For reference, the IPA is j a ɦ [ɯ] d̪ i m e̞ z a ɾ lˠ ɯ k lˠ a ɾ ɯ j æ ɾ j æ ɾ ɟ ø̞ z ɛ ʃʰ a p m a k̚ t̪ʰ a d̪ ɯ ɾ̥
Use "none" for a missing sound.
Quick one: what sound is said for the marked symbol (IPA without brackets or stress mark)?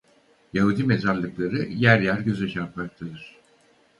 u